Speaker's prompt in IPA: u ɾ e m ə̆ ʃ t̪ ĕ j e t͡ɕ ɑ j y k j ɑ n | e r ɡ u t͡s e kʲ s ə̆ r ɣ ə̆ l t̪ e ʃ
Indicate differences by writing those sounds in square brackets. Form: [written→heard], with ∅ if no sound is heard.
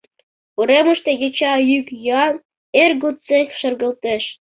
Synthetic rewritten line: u ɾ e m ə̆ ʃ t̪ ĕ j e t͡ɕ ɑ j y k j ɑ n | e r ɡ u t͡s e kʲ [s→ʃ] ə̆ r ɣ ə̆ l t̪ e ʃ

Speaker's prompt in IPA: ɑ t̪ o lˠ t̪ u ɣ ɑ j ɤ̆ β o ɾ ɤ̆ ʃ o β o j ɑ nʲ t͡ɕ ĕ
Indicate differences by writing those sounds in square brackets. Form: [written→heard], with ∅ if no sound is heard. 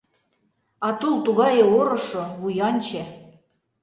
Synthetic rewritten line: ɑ t̪ [o→u] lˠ t̪ u ɣ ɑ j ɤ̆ [β→∅] o ɾ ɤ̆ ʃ o β [o→u] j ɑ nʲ t͡ɕ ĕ

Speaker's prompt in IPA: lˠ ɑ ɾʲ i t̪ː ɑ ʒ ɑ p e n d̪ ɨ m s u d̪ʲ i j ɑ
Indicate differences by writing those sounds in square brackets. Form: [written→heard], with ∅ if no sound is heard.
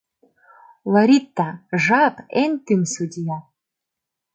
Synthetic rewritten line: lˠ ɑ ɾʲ i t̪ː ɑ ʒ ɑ p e n [d̪→t̪] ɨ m s u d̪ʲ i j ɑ

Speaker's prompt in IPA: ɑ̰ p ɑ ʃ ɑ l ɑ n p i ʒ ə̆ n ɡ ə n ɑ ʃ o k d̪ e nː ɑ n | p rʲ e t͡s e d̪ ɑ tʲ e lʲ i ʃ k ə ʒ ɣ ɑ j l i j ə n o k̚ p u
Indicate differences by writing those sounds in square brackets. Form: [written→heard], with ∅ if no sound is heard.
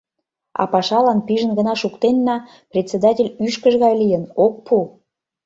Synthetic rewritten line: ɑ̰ p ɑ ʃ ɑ l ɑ n p i ʒ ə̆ n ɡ ə n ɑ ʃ [o→u] k [d̪→t̪] e nː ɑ [n→∅] | p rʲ e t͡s e d̪ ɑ tʲ e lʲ [i→y] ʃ k ə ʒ ɣ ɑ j l i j ə n o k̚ p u

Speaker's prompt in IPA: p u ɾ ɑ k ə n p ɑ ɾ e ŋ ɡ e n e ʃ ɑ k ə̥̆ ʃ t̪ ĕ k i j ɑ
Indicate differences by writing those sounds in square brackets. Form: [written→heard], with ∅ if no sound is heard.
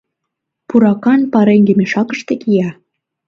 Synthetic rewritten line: p u ɾ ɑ k [ə→ɑ] n p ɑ ɾ e ŋ ɡ e [n→m] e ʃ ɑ k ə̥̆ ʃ t̪ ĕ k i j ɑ

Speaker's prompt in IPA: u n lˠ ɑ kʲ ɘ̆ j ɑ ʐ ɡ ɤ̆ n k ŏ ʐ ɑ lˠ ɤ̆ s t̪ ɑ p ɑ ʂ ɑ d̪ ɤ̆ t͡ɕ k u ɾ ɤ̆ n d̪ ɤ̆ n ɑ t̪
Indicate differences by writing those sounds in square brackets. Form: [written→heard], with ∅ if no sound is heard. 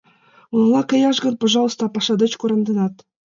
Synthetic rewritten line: u n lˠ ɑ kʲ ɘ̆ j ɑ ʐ ɡ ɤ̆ n [k→p] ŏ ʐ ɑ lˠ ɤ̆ s t̪ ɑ p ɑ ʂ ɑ d̪ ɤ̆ t͡ɕ k u ɾ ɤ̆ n d̪ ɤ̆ n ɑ t̪

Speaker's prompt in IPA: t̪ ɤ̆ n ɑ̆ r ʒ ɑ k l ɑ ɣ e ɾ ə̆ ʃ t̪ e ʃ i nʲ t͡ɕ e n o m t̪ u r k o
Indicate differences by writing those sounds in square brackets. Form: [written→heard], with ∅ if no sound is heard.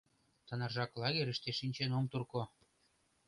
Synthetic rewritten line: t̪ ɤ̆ n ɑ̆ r ʒ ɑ k l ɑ ɣ e ɾ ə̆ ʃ t̪ e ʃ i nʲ t͡ɕ e n o m t̪ u r k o

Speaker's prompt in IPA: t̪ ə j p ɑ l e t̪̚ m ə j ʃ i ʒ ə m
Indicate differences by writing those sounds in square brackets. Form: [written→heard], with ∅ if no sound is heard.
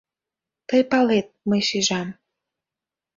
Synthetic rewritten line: t̪ ə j p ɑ l e t̪̚ m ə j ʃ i ʒ [ə→ɑ] m

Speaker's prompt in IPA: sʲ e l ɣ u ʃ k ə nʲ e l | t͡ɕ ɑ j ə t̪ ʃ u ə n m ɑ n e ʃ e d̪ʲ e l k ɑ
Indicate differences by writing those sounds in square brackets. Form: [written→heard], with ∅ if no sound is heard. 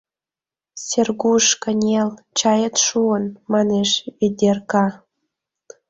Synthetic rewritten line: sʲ e [l→r] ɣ u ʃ k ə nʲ e l | t͡ɕ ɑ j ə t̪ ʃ u ə n m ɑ n e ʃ e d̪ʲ e [l→r] k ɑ

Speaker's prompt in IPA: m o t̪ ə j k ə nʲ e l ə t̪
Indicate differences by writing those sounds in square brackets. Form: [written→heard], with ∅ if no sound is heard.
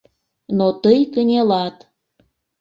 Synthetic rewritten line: [m→n] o t̪ ə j k ə nʲ e l [ə→ɑ] t̪

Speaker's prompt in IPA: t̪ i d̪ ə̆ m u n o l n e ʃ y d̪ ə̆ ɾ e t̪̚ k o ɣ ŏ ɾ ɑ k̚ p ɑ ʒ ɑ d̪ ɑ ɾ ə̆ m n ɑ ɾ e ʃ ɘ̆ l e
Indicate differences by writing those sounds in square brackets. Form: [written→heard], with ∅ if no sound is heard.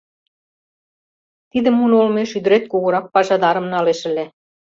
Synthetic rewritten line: t̪ i d̪ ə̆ m u n o l [n→m] e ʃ y d̪ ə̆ ɾ e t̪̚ k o ɣ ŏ ɾ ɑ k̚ p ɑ ʒ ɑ d̪ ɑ ɾ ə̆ m n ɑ [ɾ→l] e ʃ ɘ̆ l e

